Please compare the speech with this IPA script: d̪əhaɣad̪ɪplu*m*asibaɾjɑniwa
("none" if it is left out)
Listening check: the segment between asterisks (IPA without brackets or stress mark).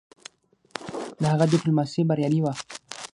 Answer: m